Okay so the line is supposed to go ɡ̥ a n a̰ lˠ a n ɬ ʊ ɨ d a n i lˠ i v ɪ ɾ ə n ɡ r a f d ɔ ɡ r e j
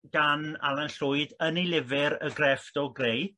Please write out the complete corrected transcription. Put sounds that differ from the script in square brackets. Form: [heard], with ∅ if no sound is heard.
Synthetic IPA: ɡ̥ a n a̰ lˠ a n ɬ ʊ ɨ d [ə] n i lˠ [ɪ] v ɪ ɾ ə [∅] ɡ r [ɛ] f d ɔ ɡ r e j